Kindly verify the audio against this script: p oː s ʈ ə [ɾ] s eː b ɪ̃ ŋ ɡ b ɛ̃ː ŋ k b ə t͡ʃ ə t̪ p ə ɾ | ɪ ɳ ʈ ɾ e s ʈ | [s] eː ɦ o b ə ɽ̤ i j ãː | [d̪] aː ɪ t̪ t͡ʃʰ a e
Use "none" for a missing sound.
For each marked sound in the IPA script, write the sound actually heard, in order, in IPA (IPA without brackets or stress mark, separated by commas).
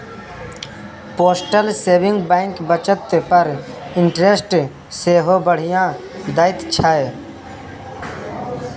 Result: l, s, d̪